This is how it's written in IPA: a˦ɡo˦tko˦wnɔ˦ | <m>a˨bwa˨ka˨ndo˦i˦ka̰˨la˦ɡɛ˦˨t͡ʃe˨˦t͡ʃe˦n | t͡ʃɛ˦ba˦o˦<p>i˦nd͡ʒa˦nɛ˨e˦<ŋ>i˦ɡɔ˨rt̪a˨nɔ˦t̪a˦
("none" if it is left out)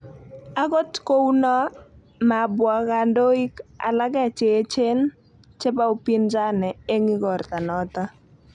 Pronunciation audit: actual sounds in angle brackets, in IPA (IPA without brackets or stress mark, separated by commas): m, p, ŋ